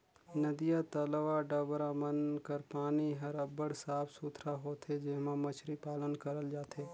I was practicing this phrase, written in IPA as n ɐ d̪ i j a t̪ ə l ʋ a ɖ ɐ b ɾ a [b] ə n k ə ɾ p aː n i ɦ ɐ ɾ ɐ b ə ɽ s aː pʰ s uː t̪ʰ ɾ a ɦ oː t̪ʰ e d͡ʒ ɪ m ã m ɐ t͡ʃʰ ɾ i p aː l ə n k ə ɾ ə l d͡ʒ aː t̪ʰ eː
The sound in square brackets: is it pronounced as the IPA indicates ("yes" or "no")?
no